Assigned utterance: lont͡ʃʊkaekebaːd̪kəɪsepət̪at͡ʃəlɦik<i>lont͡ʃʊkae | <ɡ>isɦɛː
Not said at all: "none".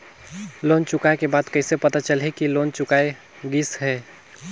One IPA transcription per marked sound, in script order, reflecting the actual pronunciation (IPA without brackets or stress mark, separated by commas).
i, ɡ